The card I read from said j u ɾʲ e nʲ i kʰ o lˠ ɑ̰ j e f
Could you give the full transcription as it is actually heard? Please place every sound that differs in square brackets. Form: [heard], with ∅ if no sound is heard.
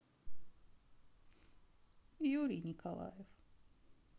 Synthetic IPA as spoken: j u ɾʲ [i] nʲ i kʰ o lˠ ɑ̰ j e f